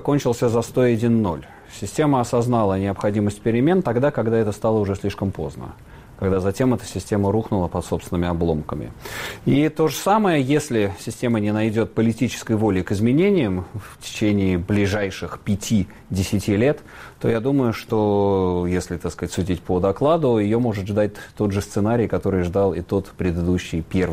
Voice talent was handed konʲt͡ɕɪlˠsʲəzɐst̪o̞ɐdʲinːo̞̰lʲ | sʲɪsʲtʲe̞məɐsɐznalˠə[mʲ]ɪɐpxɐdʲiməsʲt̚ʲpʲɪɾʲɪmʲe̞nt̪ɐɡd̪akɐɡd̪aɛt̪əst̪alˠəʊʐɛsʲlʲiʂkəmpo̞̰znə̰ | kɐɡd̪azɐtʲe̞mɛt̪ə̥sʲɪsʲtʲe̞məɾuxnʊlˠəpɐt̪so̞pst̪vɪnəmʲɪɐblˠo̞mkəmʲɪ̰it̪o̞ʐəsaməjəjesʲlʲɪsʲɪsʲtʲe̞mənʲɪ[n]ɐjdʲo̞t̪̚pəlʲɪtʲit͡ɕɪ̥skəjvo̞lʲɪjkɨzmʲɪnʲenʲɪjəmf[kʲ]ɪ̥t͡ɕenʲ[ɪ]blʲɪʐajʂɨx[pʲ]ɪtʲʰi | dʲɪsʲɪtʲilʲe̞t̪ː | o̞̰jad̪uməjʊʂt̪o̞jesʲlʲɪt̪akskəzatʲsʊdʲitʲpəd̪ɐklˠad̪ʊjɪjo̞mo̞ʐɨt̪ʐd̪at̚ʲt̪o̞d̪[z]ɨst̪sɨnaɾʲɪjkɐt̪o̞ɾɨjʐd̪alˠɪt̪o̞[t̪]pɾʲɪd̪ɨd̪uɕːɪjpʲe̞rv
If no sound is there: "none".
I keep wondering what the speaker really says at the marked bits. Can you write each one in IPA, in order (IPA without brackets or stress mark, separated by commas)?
nʲ, n, tʲ, ɪː, pʲ, ʐ, t̪